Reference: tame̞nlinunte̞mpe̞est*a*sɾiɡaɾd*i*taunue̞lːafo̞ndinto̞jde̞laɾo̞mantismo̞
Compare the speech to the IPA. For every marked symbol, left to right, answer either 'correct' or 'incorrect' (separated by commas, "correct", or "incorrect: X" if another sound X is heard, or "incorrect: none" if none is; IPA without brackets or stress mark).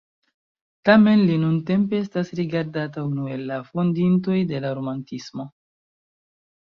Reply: correct, incorrect: a